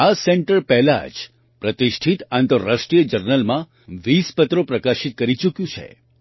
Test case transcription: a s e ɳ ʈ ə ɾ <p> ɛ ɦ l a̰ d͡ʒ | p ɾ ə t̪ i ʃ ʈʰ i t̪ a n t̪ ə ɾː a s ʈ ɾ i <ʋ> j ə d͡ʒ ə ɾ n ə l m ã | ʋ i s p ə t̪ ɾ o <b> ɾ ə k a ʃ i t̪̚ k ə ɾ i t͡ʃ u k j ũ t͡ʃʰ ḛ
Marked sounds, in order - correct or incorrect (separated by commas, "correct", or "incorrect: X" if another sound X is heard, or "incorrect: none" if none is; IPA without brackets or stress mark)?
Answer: correct, incorrect: none, incorrect: p